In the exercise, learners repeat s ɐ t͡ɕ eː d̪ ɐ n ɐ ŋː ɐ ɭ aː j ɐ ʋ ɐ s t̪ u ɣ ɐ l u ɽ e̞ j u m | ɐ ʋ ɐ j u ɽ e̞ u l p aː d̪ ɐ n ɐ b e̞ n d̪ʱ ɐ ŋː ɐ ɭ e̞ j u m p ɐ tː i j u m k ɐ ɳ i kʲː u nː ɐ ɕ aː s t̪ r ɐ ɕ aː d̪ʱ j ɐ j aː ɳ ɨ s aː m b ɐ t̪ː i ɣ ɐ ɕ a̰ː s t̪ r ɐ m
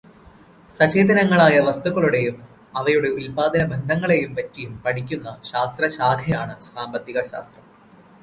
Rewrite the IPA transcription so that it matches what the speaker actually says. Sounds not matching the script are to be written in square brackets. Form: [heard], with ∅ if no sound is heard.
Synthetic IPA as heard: s ɐ t͡ɕ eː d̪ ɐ n ɐ ŋː ɐ ɭ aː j ɐ ʋ ɐ s t̪ u ɣ ɐ [ɭ] u ɽ e̞ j u m | ɐ ʋ ɐ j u ɽ e̞ u l p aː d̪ ɐ n ɐ b e̞ n d̪ʱ ɐ ŋː ɐ ɭ e̞ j u m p ɐ tː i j u m [p] ɐ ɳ i kʲː u nː ɐ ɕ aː s t̪ r ɐ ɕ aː d̪ʱ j ɐ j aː ɳ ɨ s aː m b ɐ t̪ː i ɣ ɐ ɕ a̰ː s t̪ r ɐ m

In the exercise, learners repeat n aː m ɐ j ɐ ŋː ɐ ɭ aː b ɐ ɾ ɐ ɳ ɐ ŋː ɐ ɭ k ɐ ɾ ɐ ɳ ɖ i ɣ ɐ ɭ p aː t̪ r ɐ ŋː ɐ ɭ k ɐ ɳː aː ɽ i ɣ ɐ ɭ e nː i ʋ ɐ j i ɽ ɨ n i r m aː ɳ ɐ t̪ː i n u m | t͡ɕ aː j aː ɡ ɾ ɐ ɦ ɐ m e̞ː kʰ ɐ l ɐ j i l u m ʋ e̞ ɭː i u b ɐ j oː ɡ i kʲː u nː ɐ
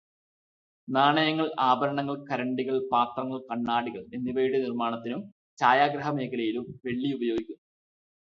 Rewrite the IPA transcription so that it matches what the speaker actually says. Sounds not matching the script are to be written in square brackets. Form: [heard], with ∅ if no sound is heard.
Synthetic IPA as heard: n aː [ɳ] ɐ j ɐ ŋː ɐ ɭ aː b ɐ ɾ ɐ ɳ ɐ ŋː ɐ ɭ k ɐ ɾ ɐ ɳ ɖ i ɣ ɐ ɭ p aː t̪ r ɐ ŋː ɐ ɭ k ɐ ɳː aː ɽ i ɣ ɐ ɭ e nː i ʋ ɐ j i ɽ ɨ n i r m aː ɳ ɐ t̪ː i n u m | t͡ɕ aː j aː ɡ ɾ ɐ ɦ ɐ m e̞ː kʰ ɐ l ɐ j i l u m ʋ e̞ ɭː i u b ɐ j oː ɡ i kʲː u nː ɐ

